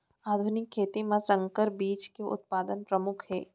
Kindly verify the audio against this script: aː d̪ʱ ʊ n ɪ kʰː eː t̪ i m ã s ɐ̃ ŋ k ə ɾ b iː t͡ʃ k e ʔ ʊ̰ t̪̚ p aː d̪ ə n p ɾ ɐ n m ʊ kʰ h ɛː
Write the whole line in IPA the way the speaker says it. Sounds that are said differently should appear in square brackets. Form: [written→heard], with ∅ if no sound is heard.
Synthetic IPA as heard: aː d̪ʱ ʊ n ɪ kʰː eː t̪ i m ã s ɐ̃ ŋ k ə ɾ b iː t͡ʃ k e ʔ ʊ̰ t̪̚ p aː d̪ ə n p ɾ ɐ [n→∅] m ʊ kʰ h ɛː